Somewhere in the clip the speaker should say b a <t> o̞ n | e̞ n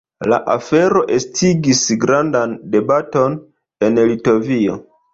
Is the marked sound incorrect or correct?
correct